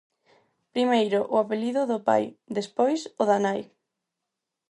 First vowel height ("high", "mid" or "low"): high